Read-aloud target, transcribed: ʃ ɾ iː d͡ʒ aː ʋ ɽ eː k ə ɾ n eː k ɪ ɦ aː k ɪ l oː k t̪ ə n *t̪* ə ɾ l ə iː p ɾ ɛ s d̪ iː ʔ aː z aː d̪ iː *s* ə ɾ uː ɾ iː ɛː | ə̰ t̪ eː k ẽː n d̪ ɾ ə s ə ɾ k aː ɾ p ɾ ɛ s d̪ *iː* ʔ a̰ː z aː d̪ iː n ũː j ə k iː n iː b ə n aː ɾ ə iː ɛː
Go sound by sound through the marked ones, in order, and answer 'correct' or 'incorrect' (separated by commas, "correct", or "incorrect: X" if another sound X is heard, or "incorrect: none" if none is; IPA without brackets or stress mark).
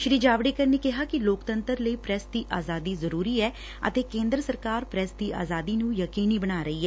correct, incorrect: z, correct